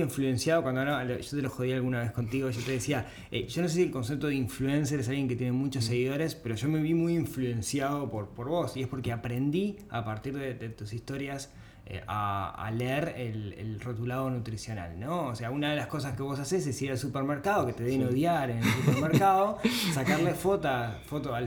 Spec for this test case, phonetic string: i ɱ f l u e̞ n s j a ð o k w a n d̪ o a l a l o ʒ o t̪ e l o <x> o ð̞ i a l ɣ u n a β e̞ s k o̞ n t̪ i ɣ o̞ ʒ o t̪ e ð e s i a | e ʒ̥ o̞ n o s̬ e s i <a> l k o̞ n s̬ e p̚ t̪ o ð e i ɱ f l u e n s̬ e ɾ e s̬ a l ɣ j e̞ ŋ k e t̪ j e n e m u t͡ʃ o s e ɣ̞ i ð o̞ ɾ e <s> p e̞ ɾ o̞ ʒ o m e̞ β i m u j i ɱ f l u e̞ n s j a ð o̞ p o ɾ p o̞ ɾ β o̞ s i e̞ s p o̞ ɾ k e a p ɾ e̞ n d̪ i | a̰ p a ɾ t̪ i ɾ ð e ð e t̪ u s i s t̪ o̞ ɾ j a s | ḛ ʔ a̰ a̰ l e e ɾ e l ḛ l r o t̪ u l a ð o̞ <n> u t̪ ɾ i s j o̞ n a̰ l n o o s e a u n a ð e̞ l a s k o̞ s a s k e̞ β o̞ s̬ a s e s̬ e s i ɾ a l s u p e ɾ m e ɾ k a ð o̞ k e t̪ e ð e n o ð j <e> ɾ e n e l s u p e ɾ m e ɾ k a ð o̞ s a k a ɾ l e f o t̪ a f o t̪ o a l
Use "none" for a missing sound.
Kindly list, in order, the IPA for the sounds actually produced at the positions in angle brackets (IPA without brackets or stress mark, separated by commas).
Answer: x, e, s, n, a